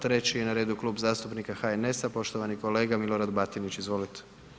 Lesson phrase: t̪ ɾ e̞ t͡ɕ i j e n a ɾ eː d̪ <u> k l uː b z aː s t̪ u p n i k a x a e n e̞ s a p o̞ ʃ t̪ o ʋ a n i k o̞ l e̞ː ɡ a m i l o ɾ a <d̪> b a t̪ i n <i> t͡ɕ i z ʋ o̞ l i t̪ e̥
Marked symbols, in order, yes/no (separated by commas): yes, yes, yes